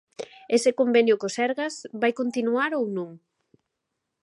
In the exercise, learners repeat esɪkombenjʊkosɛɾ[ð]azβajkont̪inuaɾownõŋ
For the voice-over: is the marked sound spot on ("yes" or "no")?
no